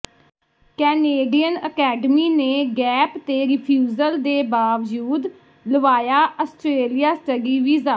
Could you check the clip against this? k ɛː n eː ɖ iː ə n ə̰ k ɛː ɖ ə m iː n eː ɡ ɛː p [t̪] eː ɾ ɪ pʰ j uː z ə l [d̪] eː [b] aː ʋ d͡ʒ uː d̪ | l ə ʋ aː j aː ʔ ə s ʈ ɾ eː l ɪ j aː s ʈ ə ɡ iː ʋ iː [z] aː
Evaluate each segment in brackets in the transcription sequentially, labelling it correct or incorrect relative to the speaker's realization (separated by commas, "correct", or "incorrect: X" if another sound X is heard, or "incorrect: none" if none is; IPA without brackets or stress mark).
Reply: correct, correct, correct, correct